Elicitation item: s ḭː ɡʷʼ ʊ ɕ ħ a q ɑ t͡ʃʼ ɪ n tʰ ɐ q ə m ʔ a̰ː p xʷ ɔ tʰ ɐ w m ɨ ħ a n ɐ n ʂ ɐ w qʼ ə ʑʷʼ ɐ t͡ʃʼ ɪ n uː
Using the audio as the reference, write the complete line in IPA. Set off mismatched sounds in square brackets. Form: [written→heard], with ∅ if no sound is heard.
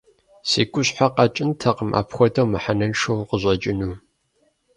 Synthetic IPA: s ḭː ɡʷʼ ʊ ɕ ħ a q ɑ t͡ʃʼ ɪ n tʰ ɐ q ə m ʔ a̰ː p xʷ ɔ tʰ ɐ w m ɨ ħ a n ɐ n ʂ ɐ w [qʼ→q] ə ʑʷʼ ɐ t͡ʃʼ ɪ n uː